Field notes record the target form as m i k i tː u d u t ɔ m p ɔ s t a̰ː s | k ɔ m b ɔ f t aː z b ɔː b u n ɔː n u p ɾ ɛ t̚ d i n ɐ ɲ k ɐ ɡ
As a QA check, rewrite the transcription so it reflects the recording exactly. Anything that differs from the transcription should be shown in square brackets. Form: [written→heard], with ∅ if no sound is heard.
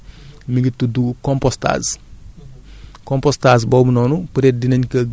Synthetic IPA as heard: m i [k→ɡ] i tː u d u [t→k] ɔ m p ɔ s t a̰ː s | k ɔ m [b→p] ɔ [f→s] t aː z b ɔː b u n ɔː n u p ɾ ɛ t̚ d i n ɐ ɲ k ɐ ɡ